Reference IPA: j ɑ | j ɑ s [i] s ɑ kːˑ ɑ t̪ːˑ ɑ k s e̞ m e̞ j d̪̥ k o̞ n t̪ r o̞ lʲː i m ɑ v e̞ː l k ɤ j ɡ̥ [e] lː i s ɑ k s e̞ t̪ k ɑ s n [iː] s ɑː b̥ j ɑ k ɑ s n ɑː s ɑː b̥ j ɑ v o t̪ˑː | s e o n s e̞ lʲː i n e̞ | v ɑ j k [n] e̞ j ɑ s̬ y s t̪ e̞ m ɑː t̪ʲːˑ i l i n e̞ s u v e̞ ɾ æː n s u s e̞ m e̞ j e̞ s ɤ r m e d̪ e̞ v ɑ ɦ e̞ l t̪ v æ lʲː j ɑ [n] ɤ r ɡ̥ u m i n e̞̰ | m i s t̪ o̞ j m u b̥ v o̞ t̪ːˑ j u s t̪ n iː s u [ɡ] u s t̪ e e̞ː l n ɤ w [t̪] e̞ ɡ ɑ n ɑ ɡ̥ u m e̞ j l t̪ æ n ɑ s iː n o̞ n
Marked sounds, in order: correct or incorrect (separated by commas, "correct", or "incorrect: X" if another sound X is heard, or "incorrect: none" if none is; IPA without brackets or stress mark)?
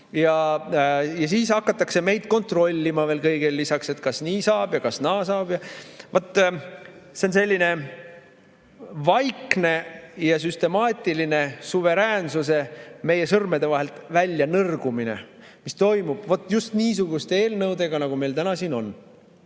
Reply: incorrect: iː, correct, correct, correct, correct, correct, incorrect: d̪